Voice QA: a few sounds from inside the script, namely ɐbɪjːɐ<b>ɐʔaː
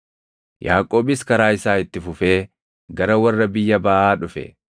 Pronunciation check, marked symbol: correct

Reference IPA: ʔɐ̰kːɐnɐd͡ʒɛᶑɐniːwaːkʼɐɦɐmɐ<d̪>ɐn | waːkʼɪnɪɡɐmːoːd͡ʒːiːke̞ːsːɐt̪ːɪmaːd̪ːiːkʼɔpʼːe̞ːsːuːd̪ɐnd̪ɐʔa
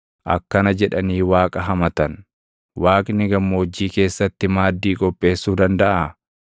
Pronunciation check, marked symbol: incorrect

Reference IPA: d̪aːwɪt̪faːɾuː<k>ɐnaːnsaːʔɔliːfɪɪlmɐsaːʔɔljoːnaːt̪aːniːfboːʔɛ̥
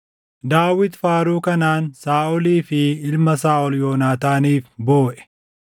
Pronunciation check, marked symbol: correct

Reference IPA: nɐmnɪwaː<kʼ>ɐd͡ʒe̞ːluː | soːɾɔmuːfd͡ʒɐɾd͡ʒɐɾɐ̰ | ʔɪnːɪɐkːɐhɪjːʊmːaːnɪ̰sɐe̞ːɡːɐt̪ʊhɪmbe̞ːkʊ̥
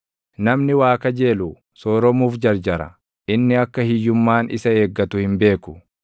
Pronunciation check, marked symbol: incorrect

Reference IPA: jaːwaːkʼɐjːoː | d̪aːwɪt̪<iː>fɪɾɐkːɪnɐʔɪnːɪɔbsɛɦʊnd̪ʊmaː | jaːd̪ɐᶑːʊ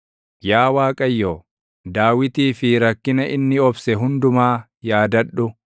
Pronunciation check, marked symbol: correct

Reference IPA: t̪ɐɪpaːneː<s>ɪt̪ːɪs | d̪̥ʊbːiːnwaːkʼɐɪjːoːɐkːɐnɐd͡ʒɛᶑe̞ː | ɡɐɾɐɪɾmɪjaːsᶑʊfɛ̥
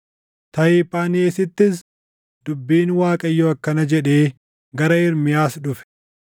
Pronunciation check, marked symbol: correct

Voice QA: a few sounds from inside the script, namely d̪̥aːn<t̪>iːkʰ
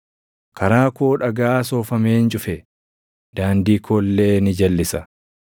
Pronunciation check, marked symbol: incorrect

